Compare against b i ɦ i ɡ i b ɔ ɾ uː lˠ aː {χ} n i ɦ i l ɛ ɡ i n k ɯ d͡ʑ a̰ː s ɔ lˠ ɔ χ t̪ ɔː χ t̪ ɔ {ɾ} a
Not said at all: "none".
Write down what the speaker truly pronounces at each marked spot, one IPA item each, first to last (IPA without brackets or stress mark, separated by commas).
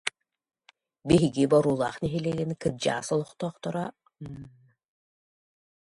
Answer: χ, ɾ